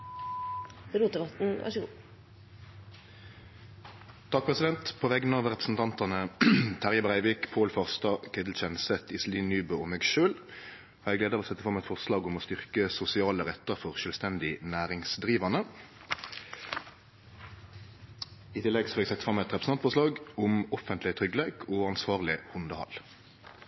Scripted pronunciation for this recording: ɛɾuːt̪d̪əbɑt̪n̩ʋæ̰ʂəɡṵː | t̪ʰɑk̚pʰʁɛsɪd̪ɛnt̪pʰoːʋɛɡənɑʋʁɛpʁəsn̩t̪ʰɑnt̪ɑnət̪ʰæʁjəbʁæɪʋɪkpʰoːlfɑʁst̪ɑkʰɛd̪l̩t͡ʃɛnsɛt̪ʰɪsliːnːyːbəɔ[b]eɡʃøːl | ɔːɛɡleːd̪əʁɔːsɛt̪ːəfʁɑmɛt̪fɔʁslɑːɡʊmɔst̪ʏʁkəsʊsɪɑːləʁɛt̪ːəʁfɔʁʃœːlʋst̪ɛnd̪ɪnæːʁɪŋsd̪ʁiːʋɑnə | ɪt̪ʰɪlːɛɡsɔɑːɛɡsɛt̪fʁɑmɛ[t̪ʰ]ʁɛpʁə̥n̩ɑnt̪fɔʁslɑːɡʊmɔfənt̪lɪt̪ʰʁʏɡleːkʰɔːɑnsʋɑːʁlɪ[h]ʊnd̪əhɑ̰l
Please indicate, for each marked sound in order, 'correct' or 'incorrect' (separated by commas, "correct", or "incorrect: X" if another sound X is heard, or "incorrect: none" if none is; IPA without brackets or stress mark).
incorrect: m, incorrect: t̪, correct